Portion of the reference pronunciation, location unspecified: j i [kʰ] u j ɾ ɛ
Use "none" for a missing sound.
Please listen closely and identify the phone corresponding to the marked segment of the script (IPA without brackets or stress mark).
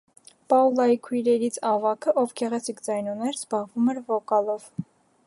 kʰ